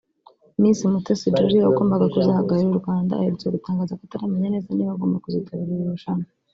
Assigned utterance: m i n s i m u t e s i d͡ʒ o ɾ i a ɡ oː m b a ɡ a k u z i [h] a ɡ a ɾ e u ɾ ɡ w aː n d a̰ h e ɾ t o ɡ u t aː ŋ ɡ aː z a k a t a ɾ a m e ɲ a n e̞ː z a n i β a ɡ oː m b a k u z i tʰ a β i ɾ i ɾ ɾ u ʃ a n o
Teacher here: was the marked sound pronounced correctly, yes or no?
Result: yes